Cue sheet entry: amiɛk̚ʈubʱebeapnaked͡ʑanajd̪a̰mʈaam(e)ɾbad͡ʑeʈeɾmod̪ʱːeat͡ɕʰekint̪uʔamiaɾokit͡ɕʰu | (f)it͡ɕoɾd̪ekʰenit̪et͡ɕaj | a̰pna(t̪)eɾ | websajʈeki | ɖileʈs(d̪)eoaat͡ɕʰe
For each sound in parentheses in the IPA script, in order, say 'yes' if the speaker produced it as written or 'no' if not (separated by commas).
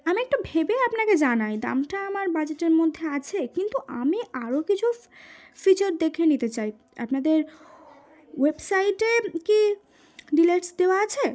no, yes, no, yes